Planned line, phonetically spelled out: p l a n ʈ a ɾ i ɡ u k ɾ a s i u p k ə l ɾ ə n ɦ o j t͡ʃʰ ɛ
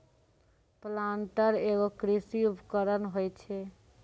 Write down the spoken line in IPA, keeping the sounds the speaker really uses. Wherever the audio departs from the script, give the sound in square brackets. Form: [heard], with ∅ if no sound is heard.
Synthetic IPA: p l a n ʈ [ə] ɾ [e] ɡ [o] k ɾ [i] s i u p k ə [∅] ɾ ə n ɦ o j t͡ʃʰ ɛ